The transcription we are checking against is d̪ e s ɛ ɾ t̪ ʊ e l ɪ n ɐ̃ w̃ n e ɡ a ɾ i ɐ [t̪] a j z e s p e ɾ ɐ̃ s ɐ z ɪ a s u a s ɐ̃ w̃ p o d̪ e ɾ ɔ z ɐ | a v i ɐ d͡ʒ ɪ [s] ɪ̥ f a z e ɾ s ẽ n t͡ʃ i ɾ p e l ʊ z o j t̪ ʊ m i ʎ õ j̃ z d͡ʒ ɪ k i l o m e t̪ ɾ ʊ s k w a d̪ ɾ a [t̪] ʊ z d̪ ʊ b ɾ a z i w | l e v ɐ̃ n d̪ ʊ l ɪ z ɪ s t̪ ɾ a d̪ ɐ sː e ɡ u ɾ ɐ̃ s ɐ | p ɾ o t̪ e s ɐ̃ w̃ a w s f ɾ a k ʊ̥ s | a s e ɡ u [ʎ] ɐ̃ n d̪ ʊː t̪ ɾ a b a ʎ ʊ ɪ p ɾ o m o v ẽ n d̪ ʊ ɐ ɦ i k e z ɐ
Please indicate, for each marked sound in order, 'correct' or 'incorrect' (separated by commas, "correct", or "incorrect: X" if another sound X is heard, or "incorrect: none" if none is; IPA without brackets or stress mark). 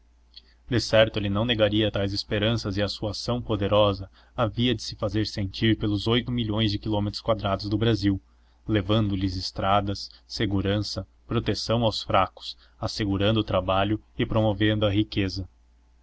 correct, correct, incorrect: d̪, incorrect: ɾ